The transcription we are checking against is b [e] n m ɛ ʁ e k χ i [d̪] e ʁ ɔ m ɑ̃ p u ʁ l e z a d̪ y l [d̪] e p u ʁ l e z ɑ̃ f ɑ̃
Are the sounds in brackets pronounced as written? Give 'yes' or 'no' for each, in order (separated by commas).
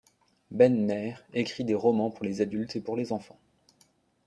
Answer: no, yes, no